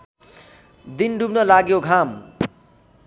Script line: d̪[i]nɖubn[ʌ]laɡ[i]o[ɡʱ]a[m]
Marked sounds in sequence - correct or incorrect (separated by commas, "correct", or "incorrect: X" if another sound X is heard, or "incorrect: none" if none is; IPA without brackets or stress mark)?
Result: correct, correct, incorrect: j, correct, correct